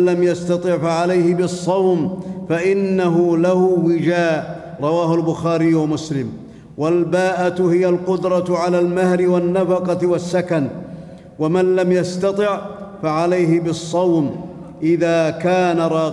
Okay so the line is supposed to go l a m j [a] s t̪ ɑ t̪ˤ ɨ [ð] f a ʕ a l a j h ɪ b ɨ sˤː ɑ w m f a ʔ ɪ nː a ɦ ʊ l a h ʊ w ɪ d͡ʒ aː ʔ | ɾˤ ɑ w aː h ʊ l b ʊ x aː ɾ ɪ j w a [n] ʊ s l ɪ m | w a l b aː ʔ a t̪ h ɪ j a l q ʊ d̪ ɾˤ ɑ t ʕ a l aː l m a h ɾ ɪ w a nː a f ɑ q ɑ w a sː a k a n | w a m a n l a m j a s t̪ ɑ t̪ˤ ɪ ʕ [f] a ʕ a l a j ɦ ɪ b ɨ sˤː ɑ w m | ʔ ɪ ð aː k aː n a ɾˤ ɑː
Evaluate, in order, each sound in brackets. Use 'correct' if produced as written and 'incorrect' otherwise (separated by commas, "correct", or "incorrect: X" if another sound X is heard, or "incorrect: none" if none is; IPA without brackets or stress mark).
correct, incorrect: ʕ, incorrect: m, correct